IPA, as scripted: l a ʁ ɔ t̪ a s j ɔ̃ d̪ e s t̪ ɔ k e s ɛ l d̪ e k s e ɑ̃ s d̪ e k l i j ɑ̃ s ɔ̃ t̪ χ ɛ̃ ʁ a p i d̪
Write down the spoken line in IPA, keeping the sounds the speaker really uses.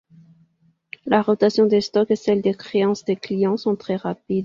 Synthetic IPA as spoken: l a ʁ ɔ t̪ a s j ɔ̃ d̪ e s t̪ ɔ k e s ɛ l d̪ e k χ e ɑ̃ s d̪ e k l i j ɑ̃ s ɔ̃ t̪ χ ɛ ʁ a p i d̪